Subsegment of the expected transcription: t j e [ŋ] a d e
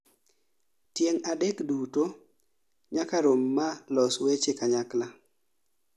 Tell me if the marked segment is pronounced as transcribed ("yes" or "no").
yes